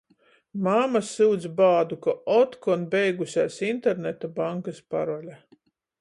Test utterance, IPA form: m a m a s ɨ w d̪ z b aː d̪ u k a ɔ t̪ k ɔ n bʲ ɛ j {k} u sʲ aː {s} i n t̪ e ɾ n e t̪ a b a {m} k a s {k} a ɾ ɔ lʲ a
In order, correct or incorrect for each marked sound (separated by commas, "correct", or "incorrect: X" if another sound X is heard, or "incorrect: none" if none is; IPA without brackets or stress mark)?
incorrect: ɡ, correct, incorrect: ŋ, incorrect: p